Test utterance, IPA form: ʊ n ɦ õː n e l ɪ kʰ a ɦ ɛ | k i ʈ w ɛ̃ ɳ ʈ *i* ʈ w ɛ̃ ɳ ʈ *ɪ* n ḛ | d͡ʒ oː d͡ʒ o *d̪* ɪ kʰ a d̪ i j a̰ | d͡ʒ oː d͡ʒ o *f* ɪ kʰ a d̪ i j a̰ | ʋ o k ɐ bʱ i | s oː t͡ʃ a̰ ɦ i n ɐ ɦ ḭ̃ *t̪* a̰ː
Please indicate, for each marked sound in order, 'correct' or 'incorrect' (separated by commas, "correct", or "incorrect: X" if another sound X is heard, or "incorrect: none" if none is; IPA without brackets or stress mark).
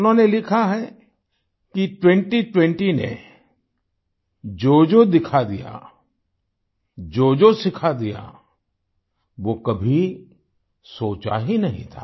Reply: correct, incorrect: i, correct, incorrect: s, incorrect: t̪ʰ